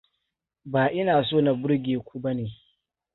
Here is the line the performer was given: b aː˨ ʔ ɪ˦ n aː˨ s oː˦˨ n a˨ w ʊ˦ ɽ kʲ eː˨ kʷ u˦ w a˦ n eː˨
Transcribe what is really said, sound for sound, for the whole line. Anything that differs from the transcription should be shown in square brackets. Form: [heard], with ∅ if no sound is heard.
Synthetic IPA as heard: b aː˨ ʔ ɪ˦ n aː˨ s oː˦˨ n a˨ [b] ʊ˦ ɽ [ɡʲ] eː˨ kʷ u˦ [b] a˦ n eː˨